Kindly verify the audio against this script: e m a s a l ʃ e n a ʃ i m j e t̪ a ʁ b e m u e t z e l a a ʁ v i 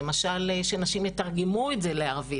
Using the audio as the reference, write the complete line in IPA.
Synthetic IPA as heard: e m a ʃ a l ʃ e n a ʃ i m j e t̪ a ʁ ɡ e m u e t z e l e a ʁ v i